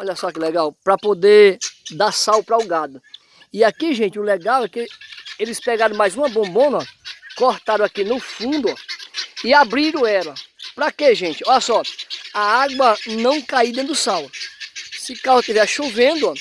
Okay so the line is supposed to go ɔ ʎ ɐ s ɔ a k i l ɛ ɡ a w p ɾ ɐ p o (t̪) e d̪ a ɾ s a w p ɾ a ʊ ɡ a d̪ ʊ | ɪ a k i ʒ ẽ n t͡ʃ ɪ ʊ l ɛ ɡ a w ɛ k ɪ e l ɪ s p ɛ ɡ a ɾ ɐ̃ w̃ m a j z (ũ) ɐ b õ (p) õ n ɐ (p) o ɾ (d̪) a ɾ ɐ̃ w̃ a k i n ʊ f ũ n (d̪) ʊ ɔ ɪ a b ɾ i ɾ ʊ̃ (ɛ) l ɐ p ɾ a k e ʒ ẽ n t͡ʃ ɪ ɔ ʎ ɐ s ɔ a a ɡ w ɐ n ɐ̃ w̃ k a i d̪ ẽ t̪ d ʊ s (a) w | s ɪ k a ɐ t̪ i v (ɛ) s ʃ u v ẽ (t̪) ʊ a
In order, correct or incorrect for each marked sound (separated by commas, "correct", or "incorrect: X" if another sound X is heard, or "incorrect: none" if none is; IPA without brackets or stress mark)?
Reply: incorrect: d̪, correct, incorrect: b, incorrect: k, incorrect: t̪, correct, correct, correct, correct, incorrect: d̪